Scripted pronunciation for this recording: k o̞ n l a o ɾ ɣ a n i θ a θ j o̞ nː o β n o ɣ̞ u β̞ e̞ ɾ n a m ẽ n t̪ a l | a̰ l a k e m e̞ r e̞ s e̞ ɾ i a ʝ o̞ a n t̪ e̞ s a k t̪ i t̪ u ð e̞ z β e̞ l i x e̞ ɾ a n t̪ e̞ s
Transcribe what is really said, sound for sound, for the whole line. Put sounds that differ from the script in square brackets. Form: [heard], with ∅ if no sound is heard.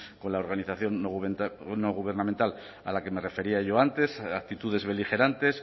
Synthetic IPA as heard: k o̞ n l a o ɾ ɣ a n i θ a θ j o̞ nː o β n o ɣ̞ u β̞ e̞ ɾ n a m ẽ n t̪ a l | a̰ l a k e m e̞ r e̞ [f] e̞ ɾ i a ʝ o̞ a n t̪ e̞ s a k t̪ i t̪ u ð e̞ z β e̞ l i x e̞ ɾ a n t̪ e̞ s